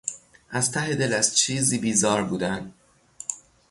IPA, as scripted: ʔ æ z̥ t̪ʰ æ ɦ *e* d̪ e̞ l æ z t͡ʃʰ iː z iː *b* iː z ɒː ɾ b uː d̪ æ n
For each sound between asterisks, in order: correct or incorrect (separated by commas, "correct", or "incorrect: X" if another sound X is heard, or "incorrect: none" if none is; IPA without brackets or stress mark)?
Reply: correct, correct